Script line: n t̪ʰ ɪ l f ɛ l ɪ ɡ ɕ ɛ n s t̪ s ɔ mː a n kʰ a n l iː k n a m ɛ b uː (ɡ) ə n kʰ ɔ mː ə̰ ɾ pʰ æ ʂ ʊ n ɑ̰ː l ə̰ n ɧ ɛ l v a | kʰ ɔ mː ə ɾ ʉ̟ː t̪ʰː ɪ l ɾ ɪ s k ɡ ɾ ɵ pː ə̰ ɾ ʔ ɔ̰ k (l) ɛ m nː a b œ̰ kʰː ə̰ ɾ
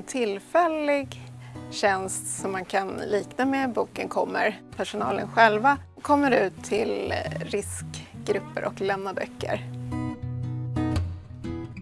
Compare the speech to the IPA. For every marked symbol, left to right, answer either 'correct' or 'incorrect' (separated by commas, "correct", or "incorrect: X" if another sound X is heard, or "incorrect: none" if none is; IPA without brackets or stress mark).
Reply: incorrect: k, correct